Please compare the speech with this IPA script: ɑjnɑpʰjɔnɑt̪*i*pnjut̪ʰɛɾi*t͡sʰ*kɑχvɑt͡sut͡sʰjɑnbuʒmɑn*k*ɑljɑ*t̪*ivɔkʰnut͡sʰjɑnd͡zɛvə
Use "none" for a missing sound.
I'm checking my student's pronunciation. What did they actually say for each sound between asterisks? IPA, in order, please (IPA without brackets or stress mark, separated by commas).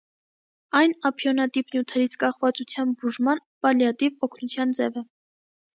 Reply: i, t͡sʰ, p, t̪